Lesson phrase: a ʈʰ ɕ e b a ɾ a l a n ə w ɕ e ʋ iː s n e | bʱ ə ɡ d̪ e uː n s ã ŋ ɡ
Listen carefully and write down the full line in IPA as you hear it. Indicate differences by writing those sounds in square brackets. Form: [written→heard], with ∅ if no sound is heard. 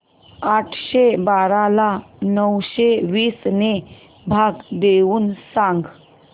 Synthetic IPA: a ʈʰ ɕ e b a ɾ a l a n ə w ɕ e ʋ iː s n e | bʱ [ə→a] ɡ d̪ e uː n s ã ŋ ɡ